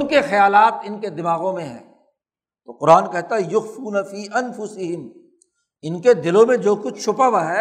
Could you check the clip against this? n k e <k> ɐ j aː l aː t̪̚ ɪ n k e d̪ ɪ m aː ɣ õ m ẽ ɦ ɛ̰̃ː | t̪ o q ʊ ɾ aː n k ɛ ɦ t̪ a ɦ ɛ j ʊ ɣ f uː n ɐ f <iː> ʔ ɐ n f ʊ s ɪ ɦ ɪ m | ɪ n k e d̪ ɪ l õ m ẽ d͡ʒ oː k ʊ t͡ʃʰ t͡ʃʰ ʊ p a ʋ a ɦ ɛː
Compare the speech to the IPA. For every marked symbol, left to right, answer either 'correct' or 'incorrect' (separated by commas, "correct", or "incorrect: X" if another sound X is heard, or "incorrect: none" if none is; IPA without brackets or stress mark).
incorrect: x, correct